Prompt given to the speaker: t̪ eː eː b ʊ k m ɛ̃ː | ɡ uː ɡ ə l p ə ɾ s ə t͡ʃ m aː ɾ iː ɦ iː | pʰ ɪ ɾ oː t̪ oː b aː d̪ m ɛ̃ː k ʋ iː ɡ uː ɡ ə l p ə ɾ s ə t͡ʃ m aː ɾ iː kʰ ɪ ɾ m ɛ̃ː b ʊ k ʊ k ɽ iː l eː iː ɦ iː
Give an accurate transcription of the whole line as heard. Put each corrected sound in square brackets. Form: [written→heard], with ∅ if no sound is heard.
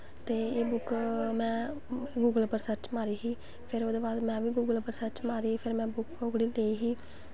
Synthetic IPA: t̪ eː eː b ʊ k m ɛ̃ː | ɡ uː ɡ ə l p ə ɾ s ə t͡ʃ m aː ɾ iː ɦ iː | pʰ ɪ ɾ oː [t̪→d̪] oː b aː d̪ m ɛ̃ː [k→∅] ʋ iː ɡ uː ɡ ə l p ə ɾ s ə t͡ʃ m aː ɾ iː [kʰ→pʰ] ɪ ɾ m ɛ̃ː b ʊ k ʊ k ɽ iː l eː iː ɦ iː